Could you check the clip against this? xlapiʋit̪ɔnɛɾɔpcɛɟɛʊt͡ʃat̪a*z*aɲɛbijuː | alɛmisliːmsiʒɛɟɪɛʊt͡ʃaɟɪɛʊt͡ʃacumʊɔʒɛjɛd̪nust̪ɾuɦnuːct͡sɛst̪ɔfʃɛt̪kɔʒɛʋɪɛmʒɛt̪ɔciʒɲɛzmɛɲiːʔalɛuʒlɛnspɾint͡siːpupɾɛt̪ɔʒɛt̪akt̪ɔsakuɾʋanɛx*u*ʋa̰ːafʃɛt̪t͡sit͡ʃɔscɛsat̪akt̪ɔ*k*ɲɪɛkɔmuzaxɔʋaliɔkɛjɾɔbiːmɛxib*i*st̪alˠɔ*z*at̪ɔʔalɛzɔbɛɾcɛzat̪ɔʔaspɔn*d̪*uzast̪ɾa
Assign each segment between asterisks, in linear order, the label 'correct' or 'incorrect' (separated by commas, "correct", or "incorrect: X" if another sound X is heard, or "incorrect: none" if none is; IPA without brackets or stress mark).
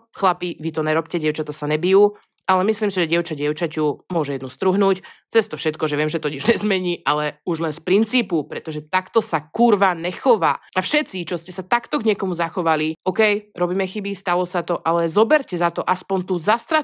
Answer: incorrect: s, incorrect: ɔ, incorrect: ɡ, correct, incorrect: s, incorrect: t̪